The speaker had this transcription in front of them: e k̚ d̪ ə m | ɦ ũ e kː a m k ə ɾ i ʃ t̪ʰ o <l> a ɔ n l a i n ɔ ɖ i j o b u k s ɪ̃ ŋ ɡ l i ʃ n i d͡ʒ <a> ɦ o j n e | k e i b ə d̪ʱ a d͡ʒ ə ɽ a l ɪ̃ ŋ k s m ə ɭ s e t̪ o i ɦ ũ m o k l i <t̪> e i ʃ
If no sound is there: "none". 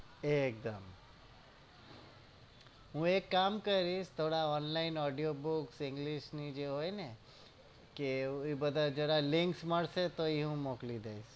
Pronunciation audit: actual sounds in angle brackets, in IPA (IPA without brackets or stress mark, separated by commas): ɽ, e, d̪